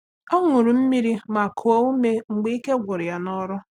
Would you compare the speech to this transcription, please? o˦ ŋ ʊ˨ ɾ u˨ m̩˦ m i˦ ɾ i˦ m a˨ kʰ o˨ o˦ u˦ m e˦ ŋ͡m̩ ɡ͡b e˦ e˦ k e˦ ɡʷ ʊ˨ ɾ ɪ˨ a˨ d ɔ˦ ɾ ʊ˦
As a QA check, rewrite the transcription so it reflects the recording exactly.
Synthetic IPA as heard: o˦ ŋ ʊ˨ ɾ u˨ m̩˦ m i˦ ɾ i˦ m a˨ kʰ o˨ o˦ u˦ m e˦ ŋ͡m̩ ɡ͡b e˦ i˦ k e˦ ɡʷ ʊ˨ ɾ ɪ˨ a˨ n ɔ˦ ɾ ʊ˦